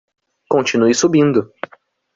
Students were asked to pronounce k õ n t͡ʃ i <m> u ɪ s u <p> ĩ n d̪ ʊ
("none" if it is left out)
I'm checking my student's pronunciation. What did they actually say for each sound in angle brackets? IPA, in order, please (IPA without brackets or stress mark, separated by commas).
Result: n, b